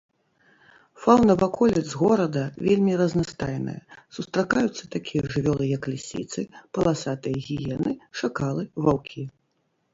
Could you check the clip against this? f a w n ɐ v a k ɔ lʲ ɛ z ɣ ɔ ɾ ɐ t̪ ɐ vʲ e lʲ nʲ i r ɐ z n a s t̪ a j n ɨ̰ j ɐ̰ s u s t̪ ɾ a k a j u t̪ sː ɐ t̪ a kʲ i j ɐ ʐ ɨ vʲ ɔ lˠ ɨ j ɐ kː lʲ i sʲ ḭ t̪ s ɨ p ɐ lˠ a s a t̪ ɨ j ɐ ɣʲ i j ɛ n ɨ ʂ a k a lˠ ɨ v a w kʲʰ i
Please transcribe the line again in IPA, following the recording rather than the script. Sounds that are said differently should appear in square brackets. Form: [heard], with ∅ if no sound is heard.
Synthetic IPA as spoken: f a w n ɐ v a k ɔ lʲ ɛ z ɣ ɔ ɾ ɐ [d̪] ɐ vʲ e lʲ [mʲ] i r ɐ z n a s t̪ a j n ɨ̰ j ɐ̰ s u s t̪ ɾ a k a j u t̪ sː ɐ t̪ a kʲ i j ɐ ʐ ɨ vʲ ɔ lˠ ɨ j ɐ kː lʲ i sʲ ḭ t̪ s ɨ p ɐ lˠ a s a t̪ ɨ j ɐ ɣʲ i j ɛ n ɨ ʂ a k a lˠ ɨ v a w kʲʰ i